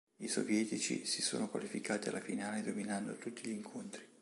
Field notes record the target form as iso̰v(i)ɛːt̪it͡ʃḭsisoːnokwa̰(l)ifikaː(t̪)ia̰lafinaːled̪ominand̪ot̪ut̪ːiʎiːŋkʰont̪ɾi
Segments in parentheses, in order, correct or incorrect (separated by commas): incorrect, correct, correct